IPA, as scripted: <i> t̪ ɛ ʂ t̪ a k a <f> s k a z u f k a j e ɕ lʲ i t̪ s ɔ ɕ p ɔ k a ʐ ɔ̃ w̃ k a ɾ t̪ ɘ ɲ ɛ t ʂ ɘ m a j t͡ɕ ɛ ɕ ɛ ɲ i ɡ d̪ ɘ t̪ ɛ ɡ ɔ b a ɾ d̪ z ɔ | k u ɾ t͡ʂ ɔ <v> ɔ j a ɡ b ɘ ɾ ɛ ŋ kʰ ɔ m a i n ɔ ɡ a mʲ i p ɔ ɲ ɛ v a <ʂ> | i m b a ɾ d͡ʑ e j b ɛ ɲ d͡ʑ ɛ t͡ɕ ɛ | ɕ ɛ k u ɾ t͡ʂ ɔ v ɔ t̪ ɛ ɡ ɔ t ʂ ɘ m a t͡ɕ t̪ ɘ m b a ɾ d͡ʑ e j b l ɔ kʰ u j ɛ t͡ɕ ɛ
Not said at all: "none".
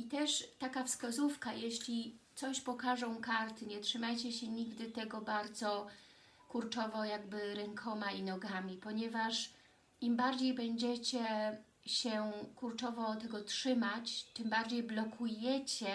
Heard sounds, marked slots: i, f, v, ʂ

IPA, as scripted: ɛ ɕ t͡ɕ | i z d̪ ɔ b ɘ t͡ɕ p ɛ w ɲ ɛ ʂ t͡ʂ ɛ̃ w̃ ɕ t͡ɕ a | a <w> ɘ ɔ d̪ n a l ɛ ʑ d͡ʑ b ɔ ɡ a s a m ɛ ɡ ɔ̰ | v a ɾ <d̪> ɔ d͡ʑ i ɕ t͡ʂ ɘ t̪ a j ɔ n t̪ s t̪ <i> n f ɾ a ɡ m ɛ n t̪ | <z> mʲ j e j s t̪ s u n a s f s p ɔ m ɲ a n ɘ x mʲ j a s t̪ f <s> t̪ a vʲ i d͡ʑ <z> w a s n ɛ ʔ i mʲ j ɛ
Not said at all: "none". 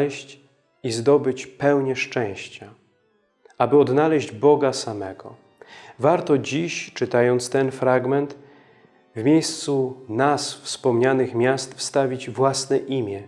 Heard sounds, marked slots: b, t̪, ɛ, v, s, v

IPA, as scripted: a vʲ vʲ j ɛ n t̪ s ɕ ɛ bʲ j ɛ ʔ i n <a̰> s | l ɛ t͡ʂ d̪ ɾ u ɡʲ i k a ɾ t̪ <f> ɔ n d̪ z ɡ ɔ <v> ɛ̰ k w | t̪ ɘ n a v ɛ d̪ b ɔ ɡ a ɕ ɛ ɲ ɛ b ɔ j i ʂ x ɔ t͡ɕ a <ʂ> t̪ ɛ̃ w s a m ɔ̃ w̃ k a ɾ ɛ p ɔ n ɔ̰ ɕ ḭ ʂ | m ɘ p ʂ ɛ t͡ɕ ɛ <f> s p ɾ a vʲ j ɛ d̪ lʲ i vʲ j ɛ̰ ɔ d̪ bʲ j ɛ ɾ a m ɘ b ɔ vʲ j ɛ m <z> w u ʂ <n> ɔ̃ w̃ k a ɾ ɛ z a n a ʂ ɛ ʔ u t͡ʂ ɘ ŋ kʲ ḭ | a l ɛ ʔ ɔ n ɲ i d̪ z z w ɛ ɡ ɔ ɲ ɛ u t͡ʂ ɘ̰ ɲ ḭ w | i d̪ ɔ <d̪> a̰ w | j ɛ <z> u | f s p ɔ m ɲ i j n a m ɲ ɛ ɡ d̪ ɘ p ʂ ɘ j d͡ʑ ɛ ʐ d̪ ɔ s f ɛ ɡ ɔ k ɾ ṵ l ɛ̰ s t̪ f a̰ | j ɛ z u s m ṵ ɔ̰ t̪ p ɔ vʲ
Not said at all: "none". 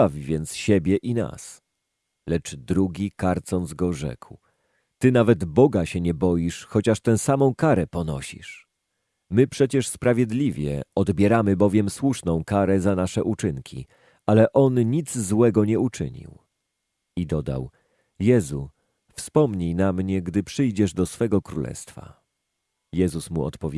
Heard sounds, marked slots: a̰, s, ʐ, ʂ, ʂ, s, n, d̪, z

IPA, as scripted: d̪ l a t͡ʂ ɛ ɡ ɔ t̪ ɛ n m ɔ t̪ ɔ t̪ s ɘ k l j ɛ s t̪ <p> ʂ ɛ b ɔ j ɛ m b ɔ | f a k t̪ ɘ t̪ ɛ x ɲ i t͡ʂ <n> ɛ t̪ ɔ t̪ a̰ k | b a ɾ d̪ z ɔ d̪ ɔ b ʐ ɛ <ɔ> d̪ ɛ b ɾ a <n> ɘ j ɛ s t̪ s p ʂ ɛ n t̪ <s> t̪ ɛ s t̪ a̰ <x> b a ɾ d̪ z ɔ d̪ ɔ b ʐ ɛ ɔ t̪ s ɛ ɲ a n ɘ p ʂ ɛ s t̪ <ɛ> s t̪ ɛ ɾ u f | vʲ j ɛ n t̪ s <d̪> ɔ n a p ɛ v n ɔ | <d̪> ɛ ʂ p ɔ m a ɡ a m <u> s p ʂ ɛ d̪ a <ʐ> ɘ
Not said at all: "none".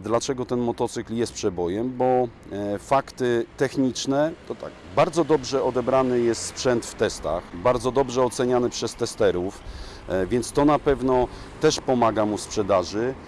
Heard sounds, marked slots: p, n, ɔ, n, f, x, ɛ, t̪, t̪, u, ʐ

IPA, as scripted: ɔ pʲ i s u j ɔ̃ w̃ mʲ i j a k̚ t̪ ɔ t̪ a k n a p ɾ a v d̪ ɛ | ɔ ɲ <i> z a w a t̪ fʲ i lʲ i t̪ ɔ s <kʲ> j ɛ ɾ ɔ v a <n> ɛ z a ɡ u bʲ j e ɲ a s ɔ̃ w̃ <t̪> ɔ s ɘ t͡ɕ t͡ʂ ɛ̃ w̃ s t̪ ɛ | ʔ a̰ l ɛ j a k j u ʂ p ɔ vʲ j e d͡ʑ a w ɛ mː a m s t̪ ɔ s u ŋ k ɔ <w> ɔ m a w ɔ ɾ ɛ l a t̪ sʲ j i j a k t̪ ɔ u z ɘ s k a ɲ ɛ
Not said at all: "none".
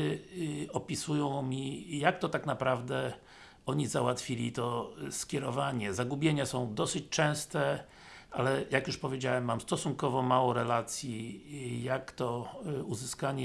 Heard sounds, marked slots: i, kʲ, ɲ, d̪, v

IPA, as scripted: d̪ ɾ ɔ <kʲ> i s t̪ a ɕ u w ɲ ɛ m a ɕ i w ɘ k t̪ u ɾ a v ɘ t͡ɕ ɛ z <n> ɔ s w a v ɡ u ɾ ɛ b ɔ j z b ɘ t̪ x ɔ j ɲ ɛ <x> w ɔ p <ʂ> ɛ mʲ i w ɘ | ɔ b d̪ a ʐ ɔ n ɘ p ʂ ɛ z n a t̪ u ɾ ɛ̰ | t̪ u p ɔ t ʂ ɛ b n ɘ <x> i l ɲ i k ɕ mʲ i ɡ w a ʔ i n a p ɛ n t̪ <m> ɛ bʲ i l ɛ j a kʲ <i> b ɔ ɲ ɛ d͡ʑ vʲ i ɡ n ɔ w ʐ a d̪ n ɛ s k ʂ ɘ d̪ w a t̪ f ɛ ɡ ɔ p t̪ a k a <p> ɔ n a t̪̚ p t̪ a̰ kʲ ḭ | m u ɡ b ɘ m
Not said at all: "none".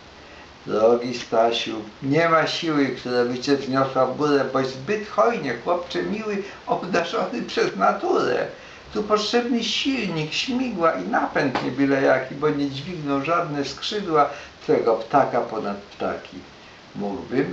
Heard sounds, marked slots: ɡʲ, ɲ, x, t͡ʂ, ɕ, ɲ, i, p

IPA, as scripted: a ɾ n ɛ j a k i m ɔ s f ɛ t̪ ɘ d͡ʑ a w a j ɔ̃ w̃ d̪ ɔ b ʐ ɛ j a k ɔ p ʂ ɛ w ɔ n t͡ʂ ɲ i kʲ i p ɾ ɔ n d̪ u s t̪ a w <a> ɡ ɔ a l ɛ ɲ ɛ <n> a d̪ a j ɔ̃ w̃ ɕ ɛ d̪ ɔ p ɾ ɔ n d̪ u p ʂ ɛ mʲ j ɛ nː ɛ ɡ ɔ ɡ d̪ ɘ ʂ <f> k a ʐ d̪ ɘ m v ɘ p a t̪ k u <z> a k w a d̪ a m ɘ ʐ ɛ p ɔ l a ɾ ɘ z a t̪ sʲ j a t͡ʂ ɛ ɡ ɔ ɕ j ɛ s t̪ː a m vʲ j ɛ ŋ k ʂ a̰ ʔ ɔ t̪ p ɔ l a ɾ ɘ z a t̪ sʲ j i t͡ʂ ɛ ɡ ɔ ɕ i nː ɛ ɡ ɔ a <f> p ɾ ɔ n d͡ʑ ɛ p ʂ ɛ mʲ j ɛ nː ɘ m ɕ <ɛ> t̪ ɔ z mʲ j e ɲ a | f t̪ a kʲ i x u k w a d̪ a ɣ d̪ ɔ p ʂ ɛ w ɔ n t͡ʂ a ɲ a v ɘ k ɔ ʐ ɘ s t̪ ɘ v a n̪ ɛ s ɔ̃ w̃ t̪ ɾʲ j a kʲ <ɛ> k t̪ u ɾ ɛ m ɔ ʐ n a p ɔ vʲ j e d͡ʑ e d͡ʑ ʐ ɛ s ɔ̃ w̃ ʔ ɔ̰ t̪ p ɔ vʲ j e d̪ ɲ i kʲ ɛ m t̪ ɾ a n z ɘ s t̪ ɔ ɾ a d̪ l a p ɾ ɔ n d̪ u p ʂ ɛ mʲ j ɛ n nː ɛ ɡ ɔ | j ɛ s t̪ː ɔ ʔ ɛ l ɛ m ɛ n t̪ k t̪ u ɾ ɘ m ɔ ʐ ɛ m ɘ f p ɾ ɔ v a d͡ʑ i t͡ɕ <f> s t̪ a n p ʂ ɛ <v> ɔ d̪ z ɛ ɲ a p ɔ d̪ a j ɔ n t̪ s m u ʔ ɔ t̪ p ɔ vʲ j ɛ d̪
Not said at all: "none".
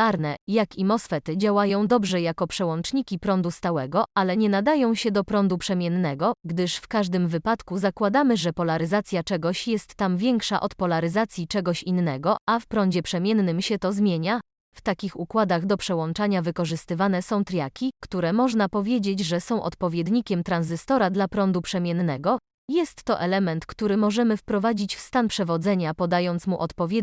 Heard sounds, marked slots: ɛ, n, f, z, f, ɛ, i, f, v

